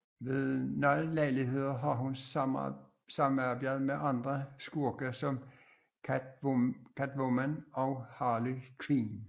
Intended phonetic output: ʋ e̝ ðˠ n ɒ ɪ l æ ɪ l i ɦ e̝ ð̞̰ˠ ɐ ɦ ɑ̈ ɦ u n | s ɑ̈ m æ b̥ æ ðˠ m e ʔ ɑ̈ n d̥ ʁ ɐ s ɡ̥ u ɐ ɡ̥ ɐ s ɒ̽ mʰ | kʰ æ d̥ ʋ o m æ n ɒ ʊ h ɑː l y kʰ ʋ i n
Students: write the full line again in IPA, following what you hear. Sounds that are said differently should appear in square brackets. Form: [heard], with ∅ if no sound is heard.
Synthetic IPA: ʋ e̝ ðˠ n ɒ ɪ l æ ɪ l i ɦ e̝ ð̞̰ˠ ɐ ɦ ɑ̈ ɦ u n | s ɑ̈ m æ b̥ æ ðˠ m e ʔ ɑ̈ n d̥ ʁ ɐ s ɡ̥ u ɐ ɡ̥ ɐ s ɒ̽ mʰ | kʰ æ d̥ ʋ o m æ n ɒ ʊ h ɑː l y kʰ ʋ i n